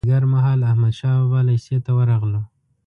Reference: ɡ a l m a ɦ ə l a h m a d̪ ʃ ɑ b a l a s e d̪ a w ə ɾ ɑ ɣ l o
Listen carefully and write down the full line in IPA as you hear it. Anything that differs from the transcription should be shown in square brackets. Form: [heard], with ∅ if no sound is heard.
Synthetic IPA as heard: ɡ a [ɾ] m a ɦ [ɑ] l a h m a d̪ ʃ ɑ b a l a s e [t̪] a w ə ɾ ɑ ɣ l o